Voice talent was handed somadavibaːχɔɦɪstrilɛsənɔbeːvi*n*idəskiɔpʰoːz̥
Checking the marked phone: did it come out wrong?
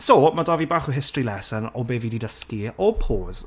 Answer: yes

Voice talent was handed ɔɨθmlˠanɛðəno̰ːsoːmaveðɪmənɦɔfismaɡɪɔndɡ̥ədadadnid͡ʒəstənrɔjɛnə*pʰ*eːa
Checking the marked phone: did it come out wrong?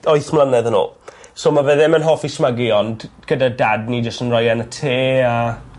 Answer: yes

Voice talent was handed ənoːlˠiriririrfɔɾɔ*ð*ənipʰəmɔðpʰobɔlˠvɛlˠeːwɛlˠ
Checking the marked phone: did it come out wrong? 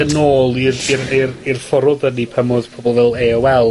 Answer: no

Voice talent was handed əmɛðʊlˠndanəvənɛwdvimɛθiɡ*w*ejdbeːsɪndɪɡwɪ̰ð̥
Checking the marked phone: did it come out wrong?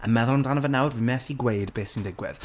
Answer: no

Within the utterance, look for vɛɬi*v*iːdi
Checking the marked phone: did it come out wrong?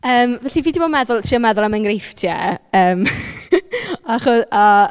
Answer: no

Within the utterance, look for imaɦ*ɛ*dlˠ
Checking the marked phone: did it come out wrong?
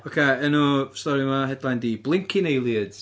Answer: no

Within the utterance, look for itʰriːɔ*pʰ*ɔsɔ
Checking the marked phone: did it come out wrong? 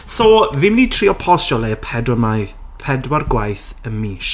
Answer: no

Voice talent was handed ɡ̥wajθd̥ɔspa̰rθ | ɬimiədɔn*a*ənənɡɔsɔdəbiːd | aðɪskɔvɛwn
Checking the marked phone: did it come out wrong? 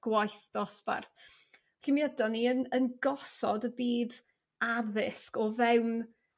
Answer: yes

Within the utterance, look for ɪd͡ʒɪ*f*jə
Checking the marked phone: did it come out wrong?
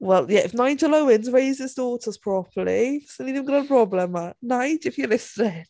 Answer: no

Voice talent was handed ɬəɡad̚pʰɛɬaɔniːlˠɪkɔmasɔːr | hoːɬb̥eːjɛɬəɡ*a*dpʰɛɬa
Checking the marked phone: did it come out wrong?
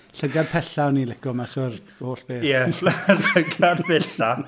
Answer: no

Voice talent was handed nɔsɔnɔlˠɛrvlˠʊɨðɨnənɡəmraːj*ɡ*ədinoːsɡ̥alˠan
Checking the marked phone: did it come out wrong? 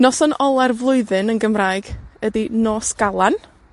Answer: no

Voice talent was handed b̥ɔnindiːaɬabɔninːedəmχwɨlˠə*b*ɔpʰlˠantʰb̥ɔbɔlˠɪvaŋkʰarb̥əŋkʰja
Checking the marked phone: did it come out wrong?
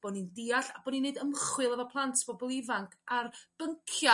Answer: yes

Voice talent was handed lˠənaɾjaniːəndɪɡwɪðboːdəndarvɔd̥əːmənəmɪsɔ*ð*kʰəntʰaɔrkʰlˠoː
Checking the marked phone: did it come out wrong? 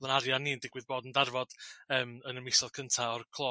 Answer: no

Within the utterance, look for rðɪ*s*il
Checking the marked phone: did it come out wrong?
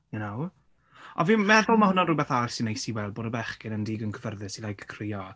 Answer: no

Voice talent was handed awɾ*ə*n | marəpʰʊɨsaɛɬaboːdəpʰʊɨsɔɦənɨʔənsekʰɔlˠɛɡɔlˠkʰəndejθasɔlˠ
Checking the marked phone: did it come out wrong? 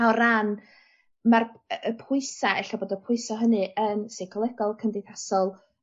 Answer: yes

